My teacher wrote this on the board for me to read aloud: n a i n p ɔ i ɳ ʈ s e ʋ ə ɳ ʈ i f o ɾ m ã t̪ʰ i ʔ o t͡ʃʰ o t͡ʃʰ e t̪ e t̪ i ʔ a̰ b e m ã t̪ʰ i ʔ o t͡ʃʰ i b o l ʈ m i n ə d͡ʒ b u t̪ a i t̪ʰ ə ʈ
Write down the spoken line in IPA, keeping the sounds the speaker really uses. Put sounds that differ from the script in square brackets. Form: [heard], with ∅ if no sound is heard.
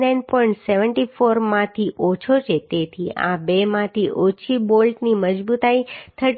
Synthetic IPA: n a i n p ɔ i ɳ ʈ s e ʋ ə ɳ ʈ i f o ɾ m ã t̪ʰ i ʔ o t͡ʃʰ o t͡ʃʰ e t̪ e [t̪ʰ] i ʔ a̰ b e m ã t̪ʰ i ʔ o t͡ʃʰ i b o l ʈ [n] i [m] ə d͡ʒ b u t̪ a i t̪ʰ ə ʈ